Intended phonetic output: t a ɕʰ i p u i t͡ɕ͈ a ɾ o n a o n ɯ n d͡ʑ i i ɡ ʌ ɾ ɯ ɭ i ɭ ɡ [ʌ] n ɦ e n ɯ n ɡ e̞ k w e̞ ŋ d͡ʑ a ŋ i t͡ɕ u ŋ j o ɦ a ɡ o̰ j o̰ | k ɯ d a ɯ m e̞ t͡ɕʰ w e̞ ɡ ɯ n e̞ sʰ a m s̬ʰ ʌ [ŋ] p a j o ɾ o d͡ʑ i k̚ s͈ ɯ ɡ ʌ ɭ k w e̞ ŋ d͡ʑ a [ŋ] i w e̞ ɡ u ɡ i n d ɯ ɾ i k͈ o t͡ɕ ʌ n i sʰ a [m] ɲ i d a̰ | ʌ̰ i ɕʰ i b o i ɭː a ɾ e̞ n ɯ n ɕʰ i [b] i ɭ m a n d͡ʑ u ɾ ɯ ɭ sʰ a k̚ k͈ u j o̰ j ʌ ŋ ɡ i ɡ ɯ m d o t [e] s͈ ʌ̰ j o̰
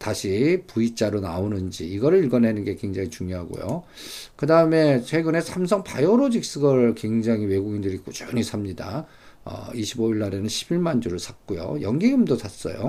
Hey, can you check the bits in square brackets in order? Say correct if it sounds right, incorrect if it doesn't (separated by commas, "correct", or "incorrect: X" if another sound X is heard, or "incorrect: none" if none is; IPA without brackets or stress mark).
correct, correct, correct, correct, correct, incorrect: a